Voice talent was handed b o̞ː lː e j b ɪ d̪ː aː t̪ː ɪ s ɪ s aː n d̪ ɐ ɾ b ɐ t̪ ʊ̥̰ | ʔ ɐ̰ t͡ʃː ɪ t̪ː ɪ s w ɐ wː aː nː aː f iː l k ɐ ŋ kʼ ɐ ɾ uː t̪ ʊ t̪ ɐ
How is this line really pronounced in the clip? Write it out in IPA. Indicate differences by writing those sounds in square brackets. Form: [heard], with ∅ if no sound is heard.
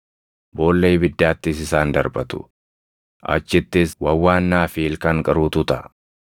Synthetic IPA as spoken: b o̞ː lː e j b ɪ d̪ː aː t̪ː ɪ s ɪ s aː n d̪ ɐ ɾ b ɐ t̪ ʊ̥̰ | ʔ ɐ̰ t͡ʃː ɪ t̪ː ɪ s w ɐ wː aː nː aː f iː l k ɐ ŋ kʼ ɐ ɾ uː t̪ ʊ t̪ ɐ